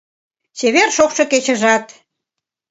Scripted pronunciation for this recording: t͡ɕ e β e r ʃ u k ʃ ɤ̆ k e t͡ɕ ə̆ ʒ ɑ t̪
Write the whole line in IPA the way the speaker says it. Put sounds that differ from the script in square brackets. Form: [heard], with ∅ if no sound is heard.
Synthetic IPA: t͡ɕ e β e r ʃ [o] k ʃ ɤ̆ k e t͡ɕ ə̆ ʒ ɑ t̪

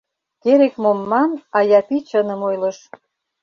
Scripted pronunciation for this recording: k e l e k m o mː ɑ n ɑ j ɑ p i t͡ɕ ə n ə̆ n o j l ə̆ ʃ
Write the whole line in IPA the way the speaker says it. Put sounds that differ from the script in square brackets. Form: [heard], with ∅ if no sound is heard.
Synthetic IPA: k e [ɾ] e k m o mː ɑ n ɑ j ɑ p i t͡ɕ ə n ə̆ [m] o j l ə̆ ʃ

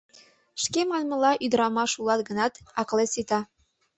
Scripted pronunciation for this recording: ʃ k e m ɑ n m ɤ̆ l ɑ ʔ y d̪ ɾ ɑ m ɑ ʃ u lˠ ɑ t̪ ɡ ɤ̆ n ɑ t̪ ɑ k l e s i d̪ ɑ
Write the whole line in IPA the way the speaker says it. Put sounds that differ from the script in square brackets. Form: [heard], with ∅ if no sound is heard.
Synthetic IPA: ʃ k e m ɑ n m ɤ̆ l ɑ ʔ y d̪ ɾ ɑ m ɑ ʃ u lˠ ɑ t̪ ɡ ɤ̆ n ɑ t̪ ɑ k l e s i [t̪] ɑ

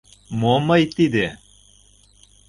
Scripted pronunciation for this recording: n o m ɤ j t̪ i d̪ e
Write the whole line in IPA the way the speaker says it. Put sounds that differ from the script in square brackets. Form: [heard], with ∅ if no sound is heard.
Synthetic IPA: [m] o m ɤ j t̪ i d̪ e

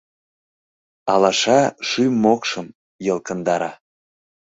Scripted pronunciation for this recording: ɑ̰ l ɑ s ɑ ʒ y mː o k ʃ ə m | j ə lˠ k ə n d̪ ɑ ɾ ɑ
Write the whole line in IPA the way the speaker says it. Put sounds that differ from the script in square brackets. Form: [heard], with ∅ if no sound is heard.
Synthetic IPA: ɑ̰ l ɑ [ʃ] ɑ [ʃ] y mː o k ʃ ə m | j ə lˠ k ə n d̪ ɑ ɾ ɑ

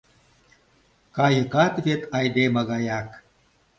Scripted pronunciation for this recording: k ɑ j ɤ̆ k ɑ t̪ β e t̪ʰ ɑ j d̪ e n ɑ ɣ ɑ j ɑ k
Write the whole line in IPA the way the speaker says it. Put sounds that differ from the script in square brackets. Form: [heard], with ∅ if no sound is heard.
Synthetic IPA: k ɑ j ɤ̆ k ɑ t̪ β e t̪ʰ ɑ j d̪ e [m] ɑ ɣ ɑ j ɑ k

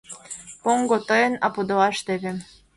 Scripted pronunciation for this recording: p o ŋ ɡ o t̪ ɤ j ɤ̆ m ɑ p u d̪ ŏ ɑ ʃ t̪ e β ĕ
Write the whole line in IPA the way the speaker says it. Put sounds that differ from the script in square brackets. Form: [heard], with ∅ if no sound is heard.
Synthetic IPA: p o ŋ ɡ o t̪ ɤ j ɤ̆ [n] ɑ p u d̪ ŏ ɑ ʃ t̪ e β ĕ

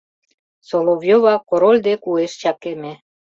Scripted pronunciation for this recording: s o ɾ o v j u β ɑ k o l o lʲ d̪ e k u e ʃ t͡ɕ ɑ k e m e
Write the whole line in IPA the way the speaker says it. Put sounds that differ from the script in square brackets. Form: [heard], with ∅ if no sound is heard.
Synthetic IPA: s o [l] o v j [o] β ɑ k o [ɾ] o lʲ d̪ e k u e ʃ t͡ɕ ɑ k e m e

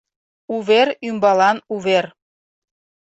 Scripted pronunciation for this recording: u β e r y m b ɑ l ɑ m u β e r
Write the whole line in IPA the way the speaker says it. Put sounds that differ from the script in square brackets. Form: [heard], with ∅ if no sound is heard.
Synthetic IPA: u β e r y m b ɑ l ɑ [n] u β e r

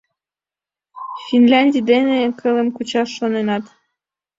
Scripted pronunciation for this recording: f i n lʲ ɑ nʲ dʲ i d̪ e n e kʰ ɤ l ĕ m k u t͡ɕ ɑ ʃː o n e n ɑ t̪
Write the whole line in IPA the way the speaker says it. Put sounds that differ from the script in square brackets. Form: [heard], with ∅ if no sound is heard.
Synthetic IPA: f i n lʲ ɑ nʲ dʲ i d̪ e n e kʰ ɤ l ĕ m k u t͡ɕ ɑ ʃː o n e n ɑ t̪

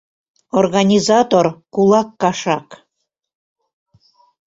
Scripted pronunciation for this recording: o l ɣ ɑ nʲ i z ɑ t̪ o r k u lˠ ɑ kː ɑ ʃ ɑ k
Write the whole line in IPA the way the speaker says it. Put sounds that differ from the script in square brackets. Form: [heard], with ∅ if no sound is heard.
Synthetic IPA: o [r] ɣ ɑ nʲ i z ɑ t̪ o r k u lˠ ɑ kː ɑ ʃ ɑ k

